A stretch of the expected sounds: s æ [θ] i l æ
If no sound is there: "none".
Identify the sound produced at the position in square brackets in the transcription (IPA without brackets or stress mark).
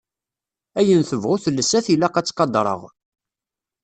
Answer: θ